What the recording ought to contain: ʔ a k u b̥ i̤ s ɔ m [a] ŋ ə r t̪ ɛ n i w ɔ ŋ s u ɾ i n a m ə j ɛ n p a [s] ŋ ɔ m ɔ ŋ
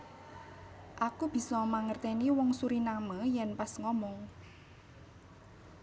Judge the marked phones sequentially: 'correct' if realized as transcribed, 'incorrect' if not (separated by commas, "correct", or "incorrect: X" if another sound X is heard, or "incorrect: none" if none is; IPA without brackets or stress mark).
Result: correct, correct